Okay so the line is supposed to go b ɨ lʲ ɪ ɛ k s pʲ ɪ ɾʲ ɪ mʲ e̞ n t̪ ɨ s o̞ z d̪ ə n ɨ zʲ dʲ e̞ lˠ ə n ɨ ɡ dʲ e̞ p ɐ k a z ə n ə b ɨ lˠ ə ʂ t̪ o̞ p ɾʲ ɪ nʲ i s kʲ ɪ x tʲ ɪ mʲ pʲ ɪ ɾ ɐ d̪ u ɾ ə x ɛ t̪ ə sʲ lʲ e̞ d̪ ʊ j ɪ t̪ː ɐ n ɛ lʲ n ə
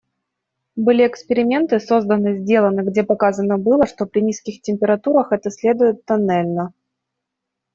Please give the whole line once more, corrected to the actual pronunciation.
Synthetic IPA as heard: b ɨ lʲ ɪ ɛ k s pʲ ɪ ɾʲ ɪ mʲ e̞ n t̪ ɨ s o̞ z d̪ ə n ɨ zʲ dʲ e̞ lˠ ə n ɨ ɡ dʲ e̞ p ɐ k a z ə n ə b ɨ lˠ ə ʂ t̪ o̞ p ɾʲ ɪ nʲ i s kʲ ɪ x tʲ ɪ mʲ pʲ ɪ ɾ ɐ t̪ u ɾ ə x ɛ t̪ ə sʲ lʲ e̞ d̪ ʊ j ɪ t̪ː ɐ n ɛ lʲ n ə